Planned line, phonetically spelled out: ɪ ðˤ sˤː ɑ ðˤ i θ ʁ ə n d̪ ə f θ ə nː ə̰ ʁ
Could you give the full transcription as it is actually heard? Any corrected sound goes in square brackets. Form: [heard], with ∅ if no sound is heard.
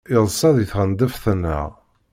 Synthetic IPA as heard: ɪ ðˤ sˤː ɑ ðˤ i θ ʁ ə n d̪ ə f θ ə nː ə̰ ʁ